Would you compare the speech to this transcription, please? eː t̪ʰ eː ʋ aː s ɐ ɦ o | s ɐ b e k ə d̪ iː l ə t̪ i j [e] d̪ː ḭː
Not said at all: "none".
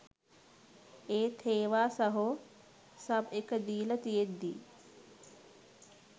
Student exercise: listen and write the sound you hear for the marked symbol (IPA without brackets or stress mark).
e